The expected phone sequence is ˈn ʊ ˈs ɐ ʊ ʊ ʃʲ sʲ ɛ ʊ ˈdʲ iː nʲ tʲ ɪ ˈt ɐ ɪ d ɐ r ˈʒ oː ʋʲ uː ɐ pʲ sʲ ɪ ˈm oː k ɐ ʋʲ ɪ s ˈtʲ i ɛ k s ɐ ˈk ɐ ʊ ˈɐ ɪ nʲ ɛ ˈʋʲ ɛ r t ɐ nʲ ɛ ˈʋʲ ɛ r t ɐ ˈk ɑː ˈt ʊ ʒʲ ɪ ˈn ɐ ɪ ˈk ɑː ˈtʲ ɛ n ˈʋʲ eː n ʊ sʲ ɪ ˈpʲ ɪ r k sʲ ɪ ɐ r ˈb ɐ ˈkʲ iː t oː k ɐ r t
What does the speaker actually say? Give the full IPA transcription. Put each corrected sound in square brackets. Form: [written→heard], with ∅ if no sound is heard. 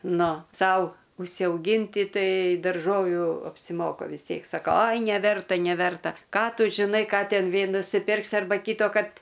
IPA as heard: ˈn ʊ ˈs ɐ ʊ ʊ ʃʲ sʲ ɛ ʊ [ˈdʲ→ˈɡʲ] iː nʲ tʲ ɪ ˈt ɐ ɪ d ɐ r ˈʒ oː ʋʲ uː ɐ pʲ sʲ ɪ ˈm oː k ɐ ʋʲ ɪ s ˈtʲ i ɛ k s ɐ ˈk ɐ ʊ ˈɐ ɪ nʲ ɛ ˈʋʲ ɛ r t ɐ nʲ ɛ ˈʋʲ ɛ r t ɐ ˈk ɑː ˈt ʊ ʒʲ ɪ ˈn ɐ ɪ ˈk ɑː ˈtʲ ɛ n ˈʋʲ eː n ʊ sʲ ɪ ˈpʲ ɪ r k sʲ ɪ ɐ r ˈb ɐ ˈkʲ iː t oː k ɐ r t

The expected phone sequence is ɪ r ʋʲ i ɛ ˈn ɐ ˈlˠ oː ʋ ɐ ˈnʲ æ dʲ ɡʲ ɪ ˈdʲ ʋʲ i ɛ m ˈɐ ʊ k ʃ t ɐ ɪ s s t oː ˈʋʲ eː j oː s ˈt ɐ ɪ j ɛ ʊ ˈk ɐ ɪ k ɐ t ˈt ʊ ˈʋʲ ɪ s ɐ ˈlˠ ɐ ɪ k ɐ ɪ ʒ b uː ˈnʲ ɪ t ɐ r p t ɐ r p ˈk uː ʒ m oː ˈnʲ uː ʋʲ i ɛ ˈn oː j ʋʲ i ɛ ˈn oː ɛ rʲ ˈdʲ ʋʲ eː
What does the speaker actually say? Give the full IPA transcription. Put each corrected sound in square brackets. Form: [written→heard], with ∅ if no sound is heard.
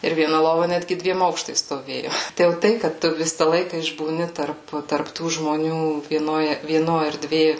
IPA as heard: ɪ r ʋʲ i ɛ ˈn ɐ ˈlˠ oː ʋ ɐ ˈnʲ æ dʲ ɡʲ ɪ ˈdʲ ʋʲ i ɛ m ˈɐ ʊ k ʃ t ɐ ɪ s s t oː ˈʋʲ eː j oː [s→∅] ˈt ɐ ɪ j ɛ ʊ [ˈk→ˈt] ɐ ɪ k ɐ t ˈt ʊ ˈʋʲ ɪ s ɐ ˈlˠ ɐ ɪ k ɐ ɪ ʒ b uː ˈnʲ ɪ t ɐ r p t ɐ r p [ˈk→ˈt] uː ʒ m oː ˈnʲ uː ʋʲ i ɛ ˈn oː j ʋʲ i ɛ ˈn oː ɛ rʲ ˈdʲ ʋʲ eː

